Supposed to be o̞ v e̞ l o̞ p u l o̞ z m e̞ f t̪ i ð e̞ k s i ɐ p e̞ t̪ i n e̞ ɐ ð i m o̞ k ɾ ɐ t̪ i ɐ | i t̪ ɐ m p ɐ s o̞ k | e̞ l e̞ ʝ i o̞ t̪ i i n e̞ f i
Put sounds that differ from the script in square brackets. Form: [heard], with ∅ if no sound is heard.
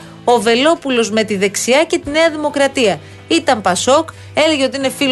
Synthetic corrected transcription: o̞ v e̞ l o̞ p u l o̞ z m e̞ [∅] t̪ i ð e̞ k s i ɐ [c] e̞ t̪ i n e̞ ɐ ð i m o̞ k ɾ ɐ t̪ i ɐ | i t̪ ɐ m p ɐ s o̞ k | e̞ l e̞ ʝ [e] o̞ t̪ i i n e̞ f i